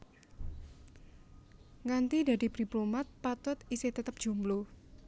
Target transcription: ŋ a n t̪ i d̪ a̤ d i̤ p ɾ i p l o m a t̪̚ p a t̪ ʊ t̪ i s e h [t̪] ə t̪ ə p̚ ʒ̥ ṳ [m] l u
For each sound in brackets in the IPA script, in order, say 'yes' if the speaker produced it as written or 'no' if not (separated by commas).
yes, yes